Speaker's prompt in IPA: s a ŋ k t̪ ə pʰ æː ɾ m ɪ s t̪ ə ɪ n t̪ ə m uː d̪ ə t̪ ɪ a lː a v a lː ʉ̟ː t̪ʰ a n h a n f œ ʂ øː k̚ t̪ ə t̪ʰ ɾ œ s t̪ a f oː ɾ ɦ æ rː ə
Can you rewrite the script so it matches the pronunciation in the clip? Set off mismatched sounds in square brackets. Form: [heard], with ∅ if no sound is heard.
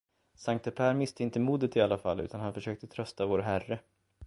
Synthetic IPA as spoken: s a ŋ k t̪ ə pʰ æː ɾ m ɪ s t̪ ə ɪ n t̪ ə m uː d̪ ə t̪ ɪ a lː a [f] a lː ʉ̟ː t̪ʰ a n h a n f œ ʂ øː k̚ t̪ ə t̪ʰ ɾ œ s t̪ a [v] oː ɾ ɦ æ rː ə

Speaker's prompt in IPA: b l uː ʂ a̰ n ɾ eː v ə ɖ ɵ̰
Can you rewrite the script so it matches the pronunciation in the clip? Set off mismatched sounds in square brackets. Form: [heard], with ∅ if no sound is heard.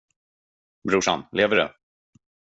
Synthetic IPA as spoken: b [ɾ] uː ʂ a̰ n [l] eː v ə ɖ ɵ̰

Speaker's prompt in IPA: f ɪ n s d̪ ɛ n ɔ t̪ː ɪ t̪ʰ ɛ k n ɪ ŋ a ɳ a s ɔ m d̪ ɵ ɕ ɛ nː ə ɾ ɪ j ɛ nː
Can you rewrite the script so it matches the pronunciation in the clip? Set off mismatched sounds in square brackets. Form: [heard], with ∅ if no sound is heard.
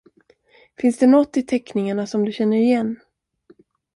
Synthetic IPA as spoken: f ɪ n s d̪ ɛ n ɔ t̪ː ɪ t̪ʰ ɛ k n ɪ ŋ a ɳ a s ɔ m d̪ ɵ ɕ ɛ nː ə ɾ ɪ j ɛ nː

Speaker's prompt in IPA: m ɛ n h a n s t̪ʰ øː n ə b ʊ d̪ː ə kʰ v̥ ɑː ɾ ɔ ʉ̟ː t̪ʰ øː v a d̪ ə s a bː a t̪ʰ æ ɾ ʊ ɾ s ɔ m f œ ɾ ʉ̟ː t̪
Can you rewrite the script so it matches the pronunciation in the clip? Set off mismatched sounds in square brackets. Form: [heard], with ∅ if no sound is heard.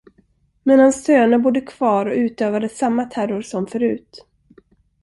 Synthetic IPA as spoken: m ɛ n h a n s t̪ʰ øː n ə b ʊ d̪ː ə kʰ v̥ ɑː ɾ ɔ ʉ̟ː [t̪] øː v a d̪ ə s a [mː] a t̪ʰ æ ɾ ʊ ɾ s ɔ m f œ ɾ ʉ̟ː t̪

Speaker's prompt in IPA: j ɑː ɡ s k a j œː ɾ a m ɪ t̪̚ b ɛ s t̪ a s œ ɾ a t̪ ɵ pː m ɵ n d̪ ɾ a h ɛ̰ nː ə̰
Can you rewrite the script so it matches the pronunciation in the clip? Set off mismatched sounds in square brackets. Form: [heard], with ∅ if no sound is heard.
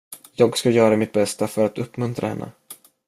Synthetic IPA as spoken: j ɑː ɡ s k a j œː ɾ a m ɪ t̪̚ b ɛ s t̪ a [f] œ ɾ a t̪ ɵ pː m ɵ n [t̪] ɾ a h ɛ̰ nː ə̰

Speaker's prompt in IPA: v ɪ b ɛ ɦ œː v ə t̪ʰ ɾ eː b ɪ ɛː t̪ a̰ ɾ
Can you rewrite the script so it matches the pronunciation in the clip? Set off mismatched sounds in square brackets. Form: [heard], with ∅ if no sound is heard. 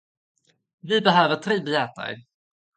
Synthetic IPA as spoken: v ɪ b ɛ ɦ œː v ə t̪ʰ ɾ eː b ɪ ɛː t̪ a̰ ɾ

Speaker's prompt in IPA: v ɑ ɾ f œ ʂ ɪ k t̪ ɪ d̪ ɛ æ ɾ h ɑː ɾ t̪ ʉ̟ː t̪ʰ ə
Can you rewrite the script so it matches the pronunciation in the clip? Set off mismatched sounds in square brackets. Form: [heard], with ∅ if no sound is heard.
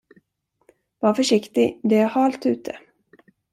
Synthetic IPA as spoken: v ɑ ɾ f œ ʂ ɪ k t̪ ɪ d̪ ɛ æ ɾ h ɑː [l] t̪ ʉ̟ː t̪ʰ ə

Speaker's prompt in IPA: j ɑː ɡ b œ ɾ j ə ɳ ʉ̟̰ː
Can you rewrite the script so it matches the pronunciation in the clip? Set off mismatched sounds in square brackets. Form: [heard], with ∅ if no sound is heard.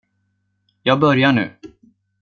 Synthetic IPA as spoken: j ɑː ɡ b œ ɾ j [a] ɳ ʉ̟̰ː

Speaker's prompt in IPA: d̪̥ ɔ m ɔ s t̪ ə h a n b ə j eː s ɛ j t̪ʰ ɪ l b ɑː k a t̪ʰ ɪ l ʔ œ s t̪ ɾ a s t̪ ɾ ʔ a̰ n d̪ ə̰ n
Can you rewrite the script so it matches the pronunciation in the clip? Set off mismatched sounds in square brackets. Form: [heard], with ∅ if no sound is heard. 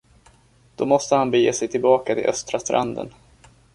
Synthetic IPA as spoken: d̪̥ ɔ m ɔ s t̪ ə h a n b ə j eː s ɛ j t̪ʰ ɪ l b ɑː k a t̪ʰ ɪ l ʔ œ s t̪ ɾ a s t̪ ɾ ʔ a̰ n d̪ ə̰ n

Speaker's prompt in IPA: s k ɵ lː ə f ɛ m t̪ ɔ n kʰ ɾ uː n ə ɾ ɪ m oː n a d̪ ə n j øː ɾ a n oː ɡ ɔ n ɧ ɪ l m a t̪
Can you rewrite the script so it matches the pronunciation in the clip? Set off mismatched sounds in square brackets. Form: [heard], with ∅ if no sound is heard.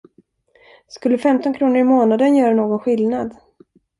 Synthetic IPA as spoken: s k ɵ lː ə f ɛ m t̪ ɔ n kʰ ɾ uː n ə ɾ ɪ m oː n a d̪ ə n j [œː] ɾ a n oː ɡ ɔ n ɧ ɪ l [n] a [d̪]

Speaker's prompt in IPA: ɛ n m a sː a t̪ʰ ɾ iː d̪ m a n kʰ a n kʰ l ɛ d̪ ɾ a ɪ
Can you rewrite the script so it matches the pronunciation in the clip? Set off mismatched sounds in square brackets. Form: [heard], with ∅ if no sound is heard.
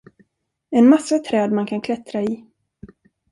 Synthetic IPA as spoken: ɛ n m a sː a t̪ʰ ɾ [ɛː] d̪ m a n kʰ a n kʰ l ɛ [t̪] ɾ a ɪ

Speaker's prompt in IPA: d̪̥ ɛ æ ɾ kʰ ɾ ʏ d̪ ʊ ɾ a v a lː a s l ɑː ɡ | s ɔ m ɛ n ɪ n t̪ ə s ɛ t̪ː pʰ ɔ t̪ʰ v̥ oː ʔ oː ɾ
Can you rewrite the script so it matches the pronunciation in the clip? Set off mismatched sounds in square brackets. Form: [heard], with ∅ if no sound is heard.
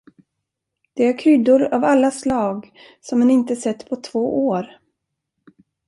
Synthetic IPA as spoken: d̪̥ ɛ æ ɾ kʰ ɾ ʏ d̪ ʊ ɾ a v a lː a s l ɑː ɡ | s ɔ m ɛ n ɪ n t̪ ə s ɛ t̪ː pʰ ɔ t̪ʰ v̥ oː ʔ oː ɾ

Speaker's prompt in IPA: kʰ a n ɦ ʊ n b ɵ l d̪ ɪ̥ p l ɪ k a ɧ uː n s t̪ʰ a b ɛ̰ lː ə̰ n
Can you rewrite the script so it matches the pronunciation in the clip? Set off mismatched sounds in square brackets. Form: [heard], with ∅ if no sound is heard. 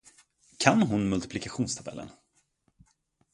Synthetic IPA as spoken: kʰ a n ɦ ʊ n [m] ɵ l [t̪] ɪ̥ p l ɪ k a ɧ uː n s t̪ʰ a b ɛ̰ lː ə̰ n

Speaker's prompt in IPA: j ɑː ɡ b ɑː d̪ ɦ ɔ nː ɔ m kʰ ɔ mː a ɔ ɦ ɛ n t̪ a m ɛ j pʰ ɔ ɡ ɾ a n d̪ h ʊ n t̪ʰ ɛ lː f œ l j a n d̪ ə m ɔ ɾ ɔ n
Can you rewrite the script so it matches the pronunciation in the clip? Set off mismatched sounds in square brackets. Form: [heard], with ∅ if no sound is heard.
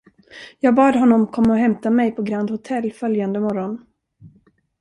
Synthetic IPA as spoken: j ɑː ɡ b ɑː d̪ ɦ ɔ nː ɔ m kʰ ɔ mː a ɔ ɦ ɛ [m] t̪ a m ɛ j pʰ ɔ ɡ ɾ a n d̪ h ʊ [∅] t̪ʰ ɛ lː f œ l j a n d̪ ə m ɔ ɾ ɔ n

